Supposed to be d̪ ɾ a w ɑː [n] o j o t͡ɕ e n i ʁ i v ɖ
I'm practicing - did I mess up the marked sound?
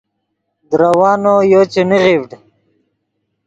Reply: no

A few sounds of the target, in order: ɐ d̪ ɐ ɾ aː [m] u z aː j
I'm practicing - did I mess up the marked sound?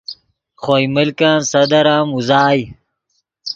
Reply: no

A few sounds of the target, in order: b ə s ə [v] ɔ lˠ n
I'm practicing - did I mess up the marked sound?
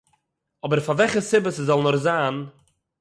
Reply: yes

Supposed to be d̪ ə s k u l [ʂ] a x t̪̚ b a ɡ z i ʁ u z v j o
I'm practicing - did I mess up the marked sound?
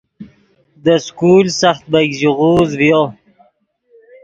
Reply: yes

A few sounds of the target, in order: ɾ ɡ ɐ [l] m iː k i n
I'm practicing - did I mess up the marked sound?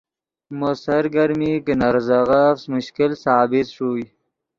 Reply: yes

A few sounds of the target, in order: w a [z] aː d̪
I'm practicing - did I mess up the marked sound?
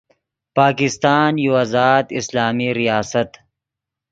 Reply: no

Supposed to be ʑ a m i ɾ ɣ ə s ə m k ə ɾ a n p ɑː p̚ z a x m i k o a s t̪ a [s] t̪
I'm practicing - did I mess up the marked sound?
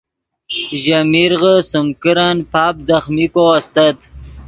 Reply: yes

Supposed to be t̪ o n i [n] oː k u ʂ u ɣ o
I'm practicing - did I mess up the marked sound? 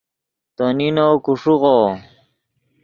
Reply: no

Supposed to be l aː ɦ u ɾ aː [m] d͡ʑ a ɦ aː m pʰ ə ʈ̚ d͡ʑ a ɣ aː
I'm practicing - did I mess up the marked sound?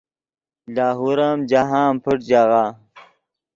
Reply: no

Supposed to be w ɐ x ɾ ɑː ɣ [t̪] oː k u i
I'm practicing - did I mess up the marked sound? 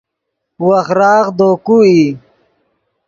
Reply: yes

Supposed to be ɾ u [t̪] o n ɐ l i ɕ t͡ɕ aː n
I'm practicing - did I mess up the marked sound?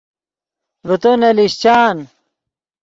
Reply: no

